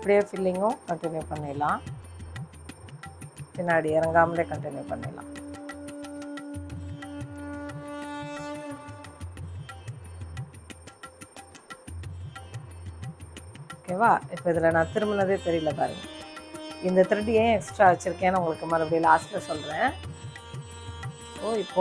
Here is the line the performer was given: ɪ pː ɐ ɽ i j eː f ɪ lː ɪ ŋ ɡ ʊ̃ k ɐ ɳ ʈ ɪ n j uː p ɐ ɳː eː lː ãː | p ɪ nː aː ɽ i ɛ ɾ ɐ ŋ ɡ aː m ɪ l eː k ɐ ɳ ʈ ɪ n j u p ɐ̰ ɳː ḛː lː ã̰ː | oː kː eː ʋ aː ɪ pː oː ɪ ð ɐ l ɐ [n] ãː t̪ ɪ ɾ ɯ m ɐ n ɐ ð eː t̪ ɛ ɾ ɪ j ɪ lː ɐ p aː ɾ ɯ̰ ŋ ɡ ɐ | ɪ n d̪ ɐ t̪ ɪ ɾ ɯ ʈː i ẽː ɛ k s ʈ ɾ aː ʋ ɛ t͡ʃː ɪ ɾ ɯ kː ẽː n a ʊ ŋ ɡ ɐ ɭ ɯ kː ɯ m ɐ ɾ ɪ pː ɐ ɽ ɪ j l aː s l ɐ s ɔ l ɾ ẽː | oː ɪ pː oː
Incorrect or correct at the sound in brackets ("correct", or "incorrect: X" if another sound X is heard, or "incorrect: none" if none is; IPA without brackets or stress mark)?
correct